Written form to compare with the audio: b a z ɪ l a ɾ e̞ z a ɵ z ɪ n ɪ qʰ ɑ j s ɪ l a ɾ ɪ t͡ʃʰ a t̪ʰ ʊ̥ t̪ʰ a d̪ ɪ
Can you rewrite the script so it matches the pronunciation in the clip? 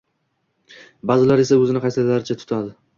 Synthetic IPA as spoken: b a z ɪ l a ɾ e̞ s a ɵ z ɪ n ɪ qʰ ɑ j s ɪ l a ɾ ɪ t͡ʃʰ a t̪ʰ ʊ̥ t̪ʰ a d̪ ɪ